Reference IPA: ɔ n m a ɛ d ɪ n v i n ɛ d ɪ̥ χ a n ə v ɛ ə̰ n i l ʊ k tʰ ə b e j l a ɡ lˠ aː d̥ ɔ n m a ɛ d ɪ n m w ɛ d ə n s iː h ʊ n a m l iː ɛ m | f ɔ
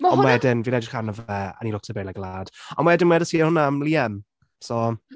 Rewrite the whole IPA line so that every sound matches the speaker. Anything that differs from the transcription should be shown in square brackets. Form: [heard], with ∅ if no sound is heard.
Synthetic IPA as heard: ɔ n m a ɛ d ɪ n v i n ɛ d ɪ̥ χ a n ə v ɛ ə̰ n i l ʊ k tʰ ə b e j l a ɡ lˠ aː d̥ ɔ n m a ɛ d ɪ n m w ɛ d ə [∅] s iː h ʊ n a m l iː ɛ m | [s] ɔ